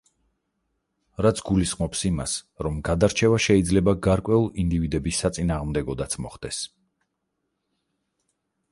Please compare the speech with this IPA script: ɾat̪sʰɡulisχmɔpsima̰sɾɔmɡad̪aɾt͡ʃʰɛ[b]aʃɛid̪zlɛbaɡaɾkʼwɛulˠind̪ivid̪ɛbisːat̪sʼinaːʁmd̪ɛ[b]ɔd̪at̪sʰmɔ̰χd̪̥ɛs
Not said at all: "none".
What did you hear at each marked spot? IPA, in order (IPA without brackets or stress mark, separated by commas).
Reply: v, ɡ